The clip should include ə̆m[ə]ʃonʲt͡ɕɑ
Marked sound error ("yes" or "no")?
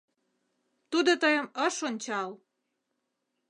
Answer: no